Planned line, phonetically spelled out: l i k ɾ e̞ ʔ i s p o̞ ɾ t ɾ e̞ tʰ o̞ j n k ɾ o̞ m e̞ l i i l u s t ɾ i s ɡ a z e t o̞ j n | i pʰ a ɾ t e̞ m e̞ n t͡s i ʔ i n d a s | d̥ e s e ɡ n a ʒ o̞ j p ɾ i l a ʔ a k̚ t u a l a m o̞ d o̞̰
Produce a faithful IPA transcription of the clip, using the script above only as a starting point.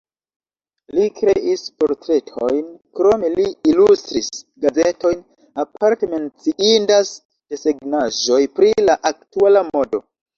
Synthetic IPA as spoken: l i k ɾ e̞ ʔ i s p o̞ ɾ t ɾ e̞ tʰ o̞ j n k ɾ o̞ m e̞ l i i l u s t ɾ i s ɡ a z e t o̞ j n | a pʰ a ɾ t e̞ m e̞ n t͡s i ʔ i n d a s | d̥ e s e ɡ n a ʒ o̞ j p ɾ i l a ʔ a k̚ t u a l a m o̞ d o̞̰